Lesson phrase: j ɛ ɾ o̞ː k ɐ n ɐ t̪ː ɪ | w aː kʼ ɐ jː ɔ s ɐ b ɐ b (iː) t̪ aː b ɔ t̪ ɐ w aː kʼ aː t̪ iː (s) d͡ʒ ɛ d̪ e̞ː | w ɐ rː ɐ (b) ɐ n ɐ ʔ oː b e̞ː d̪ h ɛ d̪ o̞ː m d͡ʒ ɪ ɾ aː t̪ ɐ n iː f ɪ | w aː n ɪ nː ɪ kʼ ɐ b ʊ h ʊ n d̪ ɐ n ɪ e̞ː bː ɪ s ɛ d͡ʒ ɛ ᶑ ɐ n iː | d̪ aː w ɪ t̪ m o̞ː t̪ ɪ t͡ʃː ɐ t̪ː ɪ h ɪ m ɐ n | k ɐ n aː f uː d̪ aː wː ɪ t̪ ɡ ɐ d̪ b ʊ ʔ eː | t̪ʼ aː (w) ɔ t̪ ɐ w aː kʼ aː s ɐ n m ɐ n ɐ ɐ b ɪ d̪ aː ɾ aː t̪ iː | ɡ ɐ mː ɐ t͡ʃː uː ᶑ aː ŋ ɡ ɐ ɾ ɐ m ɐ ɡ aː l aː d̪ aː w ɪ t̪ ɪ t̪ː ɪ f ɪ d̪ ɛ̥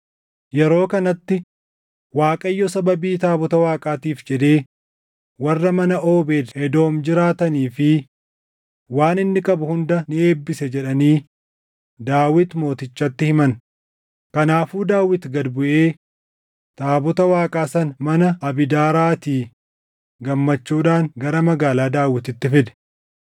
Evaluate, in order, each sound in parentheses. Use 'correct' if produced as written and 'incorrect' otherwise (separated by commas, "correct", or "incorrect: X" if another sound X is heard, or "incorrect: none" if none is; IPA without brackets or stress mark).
correct, incorrect: f, incorrect: m, incorrect: b